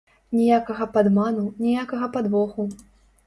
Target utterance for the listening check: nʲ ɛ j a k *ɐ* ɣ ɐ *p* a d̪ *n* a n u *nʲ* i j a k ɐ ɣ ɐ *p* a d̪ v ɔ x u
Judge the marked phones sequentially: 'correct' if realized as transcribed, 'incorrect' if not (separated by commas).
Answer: correct, correct, incorrect, correct, correct